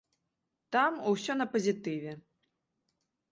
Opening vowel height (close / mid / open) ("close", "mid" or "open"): open